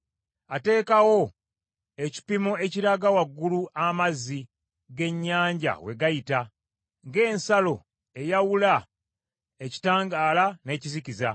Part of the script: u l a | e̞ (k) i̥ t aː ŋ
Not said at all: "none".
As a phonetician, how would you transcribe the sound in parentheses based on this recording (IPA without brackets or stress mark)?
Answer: c